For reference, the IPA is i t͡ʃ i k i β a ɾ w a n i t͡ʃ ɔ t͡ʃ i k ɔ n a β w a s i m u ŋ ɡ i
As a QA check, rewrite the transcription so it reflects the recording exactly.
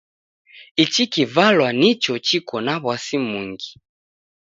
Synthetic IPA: i t͡ʃ i k i v a l w a n i t͡ʃ ɔ t͡ʃ i k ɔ n a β w a s i m u ŋ ɡ i